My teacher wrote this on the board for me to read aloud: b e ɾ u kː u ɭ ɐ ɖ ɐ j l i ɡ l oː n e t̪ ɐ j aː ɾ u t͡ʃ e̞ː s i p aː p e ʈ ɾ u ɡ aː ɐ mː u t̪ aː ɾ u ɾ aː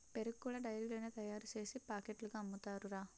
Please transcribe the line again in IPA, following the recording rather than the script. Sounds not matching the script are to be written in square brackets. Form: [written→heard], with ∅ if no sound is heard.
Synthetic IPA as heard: [b→p] e ɾ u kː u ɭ ɐ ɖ ɐ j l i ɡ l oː n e t̪ ɐ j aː ɾ u t͡ʃ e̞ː s i p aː [p→k] e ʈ [ɾ→l] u ɡ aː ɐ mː u t̪ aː ɾ u ɾ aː